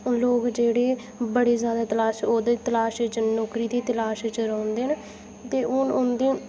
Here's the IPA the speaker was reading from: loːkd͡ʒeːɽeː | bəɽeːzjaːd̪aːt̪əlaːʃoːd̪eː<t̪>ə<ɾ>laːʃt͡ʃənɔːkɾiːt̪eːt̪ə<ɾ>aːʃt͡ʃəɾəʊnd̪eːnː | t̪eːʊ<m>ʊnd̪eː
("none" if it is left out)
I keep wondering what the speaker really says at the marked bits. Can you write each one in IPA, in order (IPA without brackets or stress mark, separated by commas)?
t̪, none, l, n